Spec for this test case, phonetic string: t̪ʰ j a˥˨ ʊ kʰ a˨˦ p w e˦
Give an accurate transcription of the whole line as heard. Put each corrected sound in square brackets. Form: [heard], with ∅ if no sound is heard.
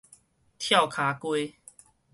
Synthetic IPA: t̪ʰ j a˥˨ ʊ kʰ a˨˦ [k] w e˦

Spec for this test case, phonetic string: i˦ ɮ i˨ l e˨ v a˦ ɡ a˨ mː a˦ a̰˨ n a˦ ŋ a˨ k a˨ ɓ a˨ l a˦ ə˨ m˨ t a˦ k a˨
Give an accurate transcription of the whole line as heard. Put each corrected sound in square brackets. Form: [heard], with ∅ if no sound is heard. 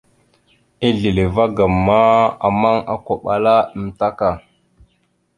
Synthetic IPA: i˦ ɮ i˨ l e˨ v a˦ ɡ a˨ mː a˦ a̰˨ [m] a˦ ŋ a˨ k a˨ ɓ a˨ l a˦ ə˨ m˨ t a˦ k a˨

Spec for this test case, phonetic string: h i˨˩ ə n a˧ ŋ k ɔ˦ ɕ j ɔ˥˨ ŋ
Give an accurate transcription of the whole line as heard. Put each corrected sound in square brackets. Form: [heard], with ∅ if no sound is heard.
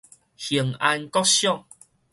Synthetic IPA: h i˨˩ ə [ŋ] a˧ [n] k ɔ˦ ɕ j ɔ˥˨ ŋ

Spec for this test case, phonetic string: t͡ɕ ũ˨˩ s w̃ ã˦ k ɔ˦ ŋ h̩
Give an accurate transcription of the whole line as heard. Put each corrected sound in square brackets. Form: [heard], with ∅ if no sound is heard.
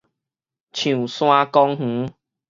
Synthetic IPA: [t͡ɕʰ] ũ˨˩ s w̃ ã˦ k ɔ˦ ŋ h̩

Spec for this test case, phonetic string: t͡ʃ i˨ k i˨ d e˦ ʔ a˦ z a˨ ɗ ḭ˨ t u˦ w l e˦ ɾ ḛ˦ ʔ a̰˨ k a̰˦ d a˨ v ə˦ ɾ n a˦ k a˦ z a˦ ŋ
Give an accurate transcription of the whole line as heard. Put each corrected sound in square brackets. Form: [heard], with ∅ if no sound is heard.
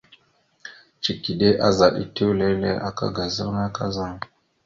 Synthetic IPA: t͡ʃ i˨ k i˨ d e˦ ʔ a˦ z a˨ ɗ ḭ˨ t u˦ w l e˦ [l] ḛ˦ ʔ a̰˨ k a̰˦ [ɡ] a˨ [z] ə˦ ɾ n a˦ k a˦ z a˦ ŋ

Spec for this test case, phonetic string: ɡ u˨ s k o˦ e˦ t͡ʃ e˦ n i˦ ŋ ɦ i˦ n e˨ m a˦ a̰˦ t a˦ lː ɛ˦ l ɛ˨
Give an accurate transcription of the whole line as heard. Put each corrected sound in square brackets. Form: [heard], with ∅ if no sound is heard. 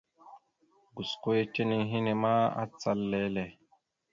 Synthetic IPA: ɡ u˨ s k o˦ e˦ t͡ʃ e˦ n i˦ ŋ ɦ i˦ n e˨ m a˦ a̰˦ [t͡s] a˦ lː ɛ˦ l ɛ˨

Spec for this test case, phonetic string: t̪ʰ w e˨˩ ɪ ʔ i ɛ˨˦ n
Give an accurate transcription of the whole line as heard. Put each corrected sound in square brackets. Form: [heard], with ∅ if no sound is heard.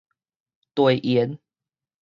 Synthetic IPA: [t̪] w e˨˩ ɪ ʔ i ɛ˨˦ n

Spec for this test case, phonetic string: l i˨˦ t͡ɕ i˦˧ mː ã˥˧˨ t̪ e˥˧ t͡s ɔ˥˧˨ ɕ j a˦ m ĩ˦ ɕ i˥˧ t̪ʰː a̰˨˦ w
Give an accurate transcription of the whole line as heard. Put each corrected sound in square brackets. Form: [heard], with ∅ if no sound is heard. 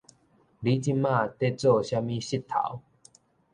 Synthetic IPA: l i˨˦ t͡ɕ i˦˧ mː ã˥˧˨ t̪ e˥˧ t͡s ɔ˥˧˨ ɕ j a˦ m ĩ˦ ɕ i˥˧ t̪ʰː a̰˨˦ w

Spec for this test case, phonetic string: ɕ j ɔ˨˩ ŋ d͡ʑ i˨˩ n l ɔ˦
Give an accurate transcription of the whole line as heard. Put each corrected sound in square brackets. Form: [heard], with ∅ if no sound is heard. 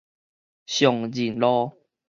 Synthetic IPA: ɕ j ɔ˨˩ ŋ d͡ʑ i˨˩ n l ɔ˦

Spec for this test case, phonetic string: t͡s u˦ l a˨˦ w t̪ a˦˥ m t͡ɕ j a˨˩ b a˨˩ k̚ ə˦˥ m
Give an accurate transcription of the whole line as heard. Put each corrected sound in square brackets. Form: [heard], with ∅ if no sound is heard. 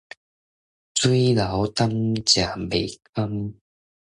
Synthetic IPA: t͡s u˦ l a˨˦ w t̪ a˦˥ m t͡ɕ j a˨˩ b [e˨˩] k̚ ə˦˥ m

